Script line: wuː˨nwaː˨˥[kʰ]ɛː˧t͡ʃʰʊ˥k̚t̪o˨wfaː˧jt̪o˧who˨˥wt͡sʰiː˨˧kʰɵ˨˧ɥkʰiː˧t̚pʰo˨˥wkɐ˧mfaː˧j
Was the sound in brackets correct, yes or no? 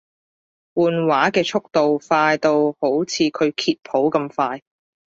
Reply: no